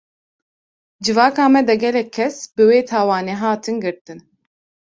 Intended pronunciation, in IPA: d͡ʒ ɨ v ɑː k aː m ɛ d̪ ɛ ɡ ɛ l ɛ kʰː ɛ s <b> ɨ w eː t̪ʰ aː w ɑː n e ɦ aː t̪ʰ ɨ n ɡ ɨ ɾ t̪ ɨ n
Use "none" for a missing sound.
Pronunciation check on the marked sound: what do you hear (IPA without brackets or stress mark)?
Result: b